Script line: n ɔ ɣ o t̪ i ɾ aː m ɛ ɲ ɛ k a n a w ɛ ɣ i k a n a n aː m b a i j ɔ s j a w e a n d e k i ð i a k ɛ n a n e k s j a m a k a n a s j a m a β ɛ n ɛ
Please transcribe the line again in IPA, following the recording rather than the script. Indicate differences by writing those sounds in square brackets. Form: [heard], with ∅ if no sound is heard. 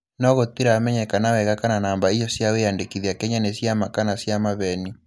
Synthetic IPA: n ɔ ɣ o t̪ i ɾ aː m ɛ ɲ ɛ k a n a w ɛ ɣ [a] k a n a n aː m b a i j ɔ s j a w e a n d e k i ð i a k ɛ [ɲ] a n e [∅] s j a m a k a n a s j a m a β ɛ n [i]